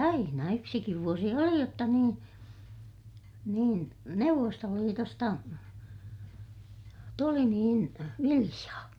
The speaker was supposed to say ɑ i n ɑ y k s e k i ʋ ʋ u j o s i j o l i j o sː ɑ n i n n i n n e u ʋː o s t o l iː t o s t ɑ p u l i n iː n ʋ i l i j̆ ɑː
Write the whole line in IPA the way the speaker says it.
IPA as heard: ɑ i n ɑ y k s i k i ʋ ʋ u o s i o l i j o tː ɑ n iː n n iː n n e u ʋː o s t o l iː t o s t ɑ t u l i n iː n ʋ i l i j̆ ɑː